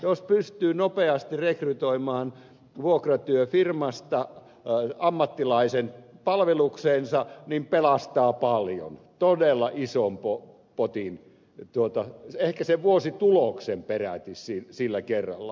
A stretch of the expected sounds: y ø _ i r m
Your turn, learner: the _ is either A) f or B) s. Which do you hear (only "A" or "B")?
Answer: A